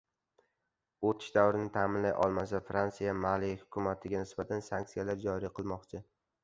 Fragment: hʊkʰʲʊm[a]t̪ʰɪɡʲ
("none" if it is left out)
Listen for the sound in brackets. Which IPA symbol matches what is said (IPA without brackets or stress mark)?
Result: a